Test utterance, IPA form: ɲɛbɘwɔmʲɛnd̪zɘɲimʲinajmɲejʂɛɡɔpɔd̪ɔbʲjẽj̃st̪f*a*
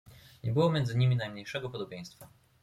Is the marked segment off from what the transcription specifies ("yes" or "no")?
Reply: no